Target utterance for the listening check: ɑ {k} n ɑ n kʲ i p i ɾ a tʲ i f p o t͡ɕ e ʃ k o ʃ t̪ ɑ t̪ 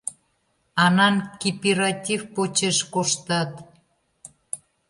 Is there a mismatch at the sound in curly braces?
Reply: yes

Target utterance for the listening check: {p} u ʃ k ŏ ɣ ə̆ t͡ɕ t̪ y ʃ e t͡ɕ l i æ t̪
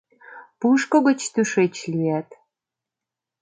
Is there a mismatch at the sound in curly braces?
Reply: no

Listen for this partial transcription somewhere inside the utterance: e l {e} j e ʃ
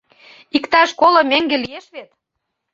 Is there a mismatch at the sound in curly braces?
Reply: yes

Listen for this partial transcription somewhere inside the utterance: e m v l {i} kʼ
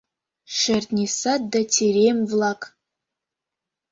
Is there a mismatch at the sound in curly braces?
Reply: yes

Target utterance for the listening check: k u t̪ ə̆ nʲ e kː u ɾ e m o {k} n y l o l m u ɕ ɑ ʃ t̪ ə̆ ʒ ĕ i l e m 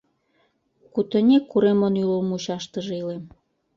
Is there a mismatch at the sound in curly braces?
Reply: yes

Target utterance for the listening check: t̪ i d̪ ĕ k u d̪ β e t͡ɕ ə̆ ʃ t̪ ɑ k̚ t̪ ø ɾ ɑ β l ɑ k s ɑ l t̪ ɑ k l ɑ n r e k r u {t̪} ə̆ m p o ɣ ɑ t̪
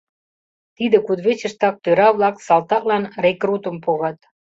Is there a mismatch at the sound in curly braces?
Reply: no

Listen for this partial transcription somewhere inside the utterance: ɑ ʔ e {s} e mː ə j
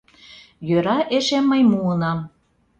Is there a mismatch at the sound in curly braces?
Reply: yes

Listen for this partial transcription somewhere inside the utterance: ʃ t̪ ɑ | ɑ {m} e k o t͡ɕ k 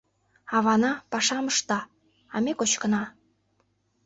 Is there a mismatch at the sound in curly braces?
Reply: no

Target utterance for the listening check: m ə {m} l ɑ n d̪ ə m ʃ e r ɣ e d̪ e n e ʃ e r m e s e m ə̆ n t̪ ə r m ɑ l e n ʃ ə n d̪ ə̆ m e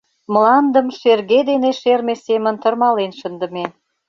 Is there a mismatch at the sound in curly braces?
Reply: yes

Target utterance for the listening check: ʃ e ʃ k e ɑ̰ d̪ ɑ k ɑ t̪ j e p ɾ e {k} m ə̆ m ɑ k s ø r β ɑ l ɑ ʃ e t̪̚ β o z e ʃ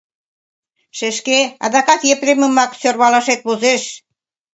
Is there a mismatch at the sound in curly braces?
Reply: yes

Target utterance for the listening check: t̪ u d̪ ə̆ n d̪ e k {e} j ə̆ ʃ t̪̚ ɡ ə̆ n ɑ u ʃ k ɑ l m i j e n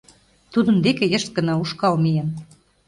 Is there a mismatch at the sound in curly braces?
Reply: no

